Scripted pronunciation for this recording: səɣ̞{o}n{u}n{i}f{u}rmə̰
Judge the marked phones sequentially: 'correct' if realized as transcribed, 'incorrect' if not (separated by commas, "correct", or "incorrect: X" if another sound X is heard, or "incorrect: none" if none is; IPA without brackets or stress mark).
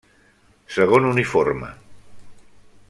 correct, correct, correct, incorrect: o